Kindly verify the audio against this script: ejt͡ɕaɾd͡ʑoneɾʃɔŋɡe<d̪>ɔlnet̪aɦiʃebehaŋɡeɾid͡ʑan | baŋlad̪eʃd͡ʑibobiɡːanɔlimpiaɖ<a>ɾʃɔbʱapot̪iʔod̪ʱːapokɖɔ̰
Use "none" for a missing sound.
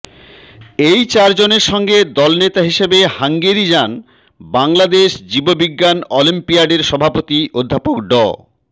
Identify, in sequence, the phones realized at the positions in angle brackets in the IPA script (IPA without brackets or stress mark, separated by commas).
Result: d̪, e